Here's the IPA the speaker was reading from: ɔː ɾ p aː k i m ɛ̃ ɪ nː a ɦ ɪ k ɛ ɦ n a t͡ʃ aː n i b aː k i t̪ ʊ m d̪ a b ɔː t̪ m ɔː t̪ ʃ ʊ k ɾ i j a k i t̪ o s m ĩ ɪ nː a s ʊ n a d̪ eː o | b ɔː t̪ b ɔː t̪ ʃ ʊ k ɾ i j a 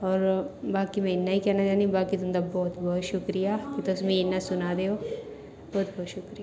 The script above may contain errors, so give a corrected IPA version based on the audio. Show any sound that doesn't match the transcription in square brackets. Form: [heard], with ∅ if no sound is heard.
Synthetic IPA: ɔː ɾ [b] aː k i m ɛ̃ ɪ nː a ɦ [i] k ɛ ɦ n a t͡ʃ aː n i b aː k i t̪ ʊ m d̪ a b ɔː t̪ [b] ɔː t̪ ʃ ʊ k ɾ i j a k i t̪ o s m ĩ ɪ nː a s ʊ n a d̪ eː o | b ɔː t̪ b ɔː t̪ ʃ ʊ k ɾ i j a

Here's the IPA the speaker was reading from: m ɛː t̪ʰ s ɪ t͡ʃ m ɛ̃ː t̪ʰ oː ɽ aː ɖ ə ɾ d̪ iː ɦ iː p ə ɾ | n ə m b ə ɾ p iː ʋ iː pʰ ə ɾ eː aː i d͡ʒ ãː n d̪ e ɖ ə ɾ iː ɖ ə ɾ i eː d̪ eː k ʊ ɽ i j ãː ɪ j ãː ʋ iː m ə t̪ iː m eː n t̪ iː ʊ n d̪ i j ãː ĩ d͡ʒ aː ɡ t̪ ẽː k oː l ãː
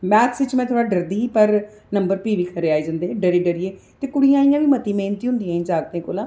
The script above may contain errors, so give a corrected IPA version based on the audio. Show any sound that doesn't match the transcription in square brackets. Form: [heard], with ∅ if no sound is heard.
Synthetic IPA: m ɛː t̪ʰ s ɪ t͡ʃ m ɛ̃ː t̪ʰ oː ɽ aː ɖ ə ɾ d̪ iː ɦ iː p ə ɾ | n ə m b ə ɾ p iː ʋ iː [kʰ] ə ɾ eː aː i d͡ʒ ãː n d̪ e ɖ ə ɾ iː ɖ ə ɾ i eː [t̪] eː k ʊ ɽ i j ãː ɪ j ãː ʋ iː m ə t̪ iː m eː n t̪ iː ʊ n d̪ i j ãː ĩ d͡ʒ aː ɡ t̪ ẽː k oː l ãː

